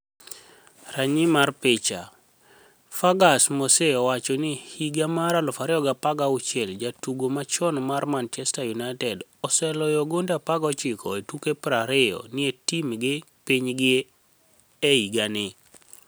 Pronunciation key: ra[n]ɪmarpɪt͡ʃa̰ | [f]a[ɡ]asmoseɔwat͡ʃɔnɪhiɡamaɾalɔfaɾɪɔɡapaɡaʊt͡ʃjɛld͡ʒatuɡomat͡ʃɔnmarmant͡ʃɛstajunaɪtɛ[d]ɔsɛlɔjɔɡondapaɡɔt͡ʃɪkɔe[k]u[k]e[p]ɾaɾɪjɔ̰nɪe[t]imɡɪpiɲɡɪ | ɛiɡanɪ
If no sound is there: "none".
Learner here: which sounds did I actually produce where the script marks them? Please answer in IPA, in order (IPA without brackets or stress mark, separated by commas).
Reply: ɲ, f, ɡ, d, t, k, p, t